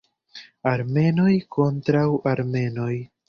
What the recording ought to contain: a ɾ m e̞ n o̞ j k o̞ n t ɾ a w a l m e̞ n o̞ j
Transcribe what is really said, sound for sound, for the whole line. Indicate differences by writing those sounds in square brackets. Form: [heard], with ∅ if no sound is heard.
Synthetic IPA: a ɾ m e̞ n o̞ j k o̞ n t ɾ a w a [ɾ] m e̞ n o̞ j